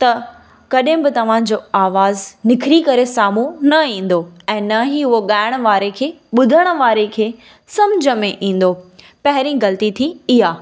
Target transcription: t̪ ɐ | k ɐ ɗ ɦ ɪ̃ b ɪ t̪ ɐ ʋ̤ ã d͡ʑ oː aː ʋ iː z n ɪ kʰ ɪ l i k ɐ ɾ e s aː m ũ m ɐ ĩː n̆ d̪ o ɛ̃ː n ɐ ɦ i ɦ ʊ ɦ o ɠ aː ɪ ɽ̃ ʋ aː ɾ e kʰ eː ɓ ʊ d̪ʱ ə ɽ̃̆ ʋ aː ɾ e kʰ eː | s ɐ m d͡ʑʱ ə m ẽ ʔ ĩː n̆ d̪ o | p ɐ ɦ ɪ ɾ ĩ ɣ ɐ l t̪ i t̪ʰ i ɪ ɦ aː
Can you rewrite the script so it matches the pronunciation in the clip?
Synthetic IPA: t̪ ɐ | k ɐ ɗ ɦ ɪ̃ b ɪ t̪ ɐ ʋ̤ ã d͡ʑ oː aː ʋ aː z n ɪ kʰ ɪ ɾ i k ɐ ɾ e s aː m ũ n ɐ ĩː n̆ d̪ o ɛ̃ː n ɐ ɦ i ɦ ʊ ɦ o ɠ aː ɪ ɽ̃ ʋ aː ɾ e kʰ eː ɓ ʊ d̪ʱ ə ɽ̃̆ ʋ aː ɾ e kʰ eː | s ɐ m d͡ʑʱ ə m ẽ ʔ ĩː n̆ d̪ o | p ɐ ɦ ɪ ɾ ĩ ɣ ɐ l t̪ i t̪ʰ i ɪ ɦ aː